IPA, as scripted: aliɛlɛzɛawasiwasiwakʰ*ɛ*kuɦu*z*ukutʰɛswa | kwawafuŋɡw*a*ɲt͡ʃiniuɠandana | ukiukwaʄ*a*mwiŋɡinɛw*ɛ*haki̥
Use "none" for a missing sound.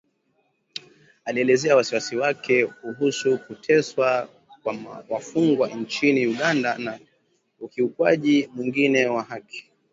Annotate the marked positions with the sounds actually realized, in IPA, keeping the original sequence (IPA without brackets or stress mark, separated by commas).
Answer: ɛ, s, a, i, a